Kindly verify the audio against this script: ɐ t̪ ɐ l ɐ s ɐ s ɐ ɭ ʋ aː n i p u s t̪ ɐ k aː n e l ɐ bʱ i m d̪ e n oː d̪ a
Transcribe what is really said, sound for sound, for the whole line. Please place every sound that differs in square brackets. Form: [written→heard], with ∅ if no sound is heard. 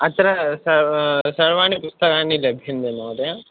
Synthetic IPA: ɐ t̪ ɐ [l→ɾ] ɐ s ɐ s ɐ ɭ ʋ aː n i p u s t̪ ɐ k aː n [e→i] l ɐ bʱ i [m→n] d̪ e n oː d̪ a